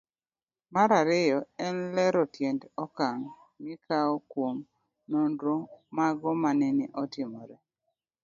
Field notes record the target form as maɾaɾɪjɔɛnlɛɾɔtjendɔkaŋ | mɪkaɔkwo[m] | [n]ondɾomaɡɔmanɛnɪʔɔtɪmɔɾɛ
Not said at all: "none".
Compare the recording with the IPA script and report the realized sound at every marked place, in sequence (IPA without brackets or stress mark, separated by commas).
m, n